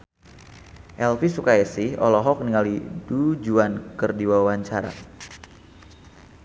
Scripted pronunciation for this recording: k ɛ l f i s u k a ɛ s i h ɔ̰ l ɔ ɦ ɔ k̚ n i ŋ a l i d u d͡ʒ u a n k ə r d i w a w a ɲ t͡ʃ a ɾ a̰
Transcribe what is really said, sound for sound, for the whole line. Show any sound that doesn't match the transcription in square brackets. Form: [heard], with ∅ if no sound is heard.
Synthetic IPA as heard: [ʔ] ɛ l f i s u k a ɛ s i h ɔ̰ l ɔ ɦ ɔ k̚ n i ŋ a l i d u d͡ʒ u a n k ə r d i w a w a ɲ t͡ʃ a ɾ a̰